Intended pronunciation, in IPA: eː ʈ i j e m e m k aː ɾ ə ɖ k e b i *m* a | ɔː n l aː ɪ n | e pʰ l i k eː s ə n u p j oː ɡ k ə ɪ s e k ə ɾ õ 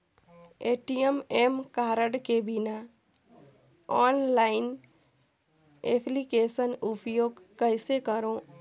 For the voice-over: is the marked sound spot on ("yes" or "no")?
no